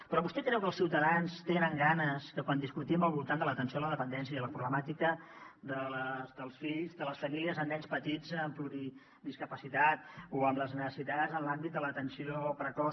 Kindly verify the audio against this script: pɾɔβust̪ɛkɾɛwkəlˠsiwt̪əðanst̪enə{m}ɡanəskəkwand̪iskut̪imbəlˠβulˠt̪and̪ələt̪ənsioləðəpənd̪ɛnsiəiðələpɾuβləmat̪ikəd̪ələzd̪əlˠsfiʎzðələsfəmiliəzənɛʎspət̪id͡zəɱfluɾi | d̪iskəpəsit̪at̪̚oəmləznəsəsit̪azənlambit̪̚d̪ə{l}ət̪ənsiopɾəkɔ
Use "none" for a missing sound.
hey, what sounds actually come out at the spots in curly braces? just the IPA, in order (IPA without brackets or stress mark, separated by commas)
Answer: ŋ, l